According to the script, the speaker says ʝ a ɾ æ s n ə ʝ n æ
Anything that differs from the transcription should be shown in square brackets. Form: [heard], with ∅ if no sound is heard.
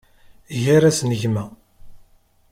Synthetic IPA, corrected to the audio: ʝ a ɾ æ s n ə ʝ [m] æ